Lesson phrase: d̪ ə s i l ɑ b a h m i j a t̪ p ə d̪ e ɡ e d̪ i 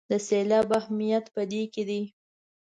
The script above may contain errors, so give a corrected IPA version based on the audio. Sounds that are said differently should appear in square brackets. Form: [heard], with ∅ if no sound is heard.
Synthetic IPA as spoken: d̪ ə s [e] l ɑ b a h m i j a t̪ p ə d̪ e [k] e d̪ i